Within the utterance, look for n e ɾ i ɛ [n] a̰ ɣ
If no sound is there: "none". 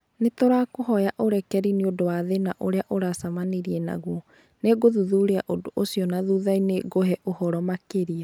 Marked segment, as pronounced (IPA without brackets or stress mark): n